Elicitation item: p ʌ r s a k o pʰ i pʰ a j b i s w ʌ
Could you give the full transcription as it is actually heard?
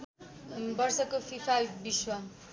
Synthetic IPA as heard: b ʌ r s ʌ k o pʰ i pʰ a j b i s w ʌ